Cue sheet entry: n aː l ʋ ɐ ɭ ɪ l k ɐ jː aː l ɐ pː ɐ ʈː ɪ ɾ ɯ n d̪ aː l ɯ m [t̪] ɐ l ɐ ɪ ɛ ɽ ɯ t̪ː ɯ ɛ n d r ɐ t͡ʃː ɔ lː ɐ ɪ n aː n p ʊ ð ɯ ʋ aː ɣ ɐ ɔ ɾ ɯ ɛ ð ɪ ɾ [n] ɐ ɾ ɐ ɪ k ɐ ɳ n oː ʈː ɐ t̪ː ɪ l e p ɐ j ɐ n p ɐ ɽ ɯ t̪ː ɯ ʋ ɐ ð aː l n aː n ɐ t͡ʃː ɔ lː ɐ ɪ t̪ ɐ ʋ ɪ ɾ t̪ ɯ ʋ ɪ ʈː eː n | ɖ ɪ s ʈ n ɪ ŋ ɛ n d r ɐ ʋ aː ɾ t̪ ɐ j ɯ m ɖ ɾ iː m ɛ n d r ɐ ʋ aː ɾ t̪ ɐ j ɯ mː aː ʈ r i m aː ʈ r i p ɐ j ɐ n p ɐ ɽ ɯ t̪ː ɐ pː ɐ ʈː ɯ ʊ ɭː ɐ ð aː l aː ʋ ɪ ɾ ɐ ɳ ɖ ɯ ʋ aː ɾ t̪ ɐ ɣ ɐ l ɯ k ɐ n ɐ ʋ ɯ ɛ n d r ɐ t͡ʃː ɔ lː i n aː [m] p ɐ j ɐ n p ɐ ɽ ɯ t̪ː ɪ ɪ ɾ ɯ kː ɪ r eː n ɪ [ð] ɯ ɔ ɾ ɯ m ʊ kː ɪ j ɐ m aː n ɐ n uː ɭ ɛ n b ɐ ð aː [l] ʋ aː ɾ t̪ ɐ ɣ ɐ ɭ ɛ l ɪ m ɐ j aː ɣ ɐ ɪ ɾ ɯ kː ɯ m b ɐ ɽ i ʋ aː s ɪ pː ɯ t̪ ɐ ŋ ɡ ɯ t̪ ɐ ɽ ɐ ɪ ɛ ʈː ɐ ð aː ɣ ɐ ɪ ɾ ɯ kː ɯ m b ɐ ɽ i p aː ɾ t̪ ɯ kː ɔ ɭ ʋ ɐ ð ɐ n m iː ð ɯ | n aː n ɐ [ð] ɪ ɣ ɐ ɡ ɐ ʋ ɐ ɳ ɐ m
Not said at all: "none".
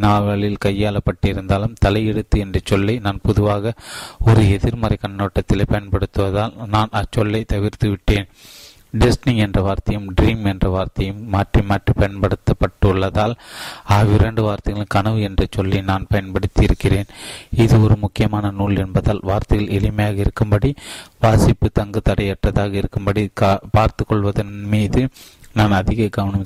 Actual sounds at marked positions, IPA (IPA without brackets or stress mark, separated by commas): t̪, m, n, ð, l, ð